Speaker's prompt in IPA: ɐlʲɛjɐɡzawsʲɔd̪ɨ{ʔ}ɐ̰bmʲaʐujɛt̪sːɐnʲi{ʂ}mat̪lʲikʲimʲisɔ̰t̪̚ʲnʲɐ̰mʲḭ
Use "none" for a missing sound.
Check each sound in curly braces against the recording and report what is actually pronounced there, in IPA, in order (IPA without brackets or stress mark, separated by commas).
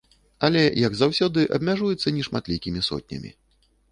ʔ, ʂ